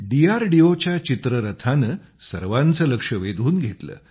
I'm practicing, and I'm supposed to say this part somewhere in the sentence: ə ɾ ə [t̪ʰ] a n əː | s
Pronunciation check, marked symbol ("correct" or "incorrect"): correct